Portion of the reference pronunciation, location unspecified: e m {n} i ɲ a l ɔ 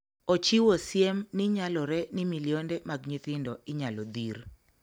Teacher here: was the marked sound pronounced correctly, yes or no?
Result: yes